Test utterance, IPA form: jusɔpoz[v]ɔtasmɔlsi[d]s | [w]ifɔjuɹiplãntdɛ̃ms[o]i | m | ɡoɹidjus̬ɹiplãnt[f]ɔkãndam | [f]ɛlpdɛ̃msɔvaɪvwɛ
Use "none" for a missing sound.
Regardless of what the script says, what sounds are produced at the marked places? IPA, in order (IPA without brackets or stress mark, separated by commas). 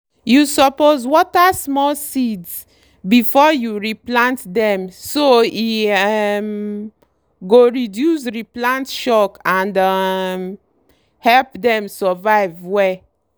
w, d, b, o, ʃ, h